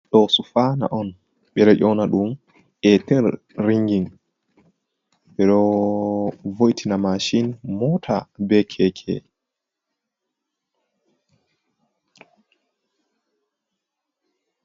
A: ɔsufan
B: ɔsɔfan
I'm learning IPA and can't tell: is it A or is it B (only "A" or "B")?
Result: A